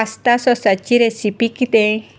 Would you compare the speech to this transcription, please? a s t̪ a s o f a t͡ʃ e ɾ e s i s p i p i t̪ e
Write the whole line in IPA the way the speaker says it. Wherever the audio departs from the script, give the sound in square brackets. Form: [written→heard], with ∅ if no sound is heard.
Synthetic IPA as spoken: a s t̪ a s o [f→s] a t͡ʃ [e→i] ɾ e s i [s→∅] p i [p→k] i t̪ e